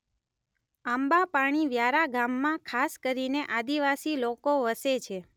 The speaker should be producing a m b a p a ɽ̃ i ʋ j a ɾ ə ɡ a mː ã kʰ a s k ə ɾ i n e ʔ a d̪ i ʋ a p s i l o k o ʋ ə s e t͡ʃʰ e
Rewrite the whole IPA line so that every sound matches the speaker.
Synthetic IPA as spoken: a m b a p a ɽ̃ i ʋ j a ɾ a ɡ a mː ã kʰ a s k ə ɾ i n e ʔ a d̪ i ʋ a s i l o k o ʋ ə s e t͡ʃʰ e